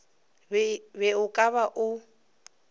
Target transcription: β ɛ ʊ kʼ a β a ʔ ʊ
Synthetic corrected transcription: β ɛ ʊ kʼ a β a ʔ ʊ